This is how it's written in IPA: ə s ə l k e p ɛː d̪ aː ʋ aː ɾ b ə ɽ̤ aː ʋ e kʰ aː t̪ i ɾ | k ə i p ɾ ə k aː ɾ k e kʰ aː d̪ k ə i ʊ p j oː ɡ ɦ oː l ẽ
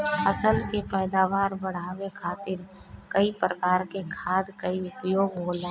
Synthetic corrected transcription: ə s ə l k e p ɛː d̪ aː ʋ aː ɾ b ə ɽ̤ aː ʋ e kʰ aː t̪ ɪ ɾ | k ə i p ɾ ə k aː ɾ k e kʰ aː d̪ k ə i ʊ p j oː ɡ ɦ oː l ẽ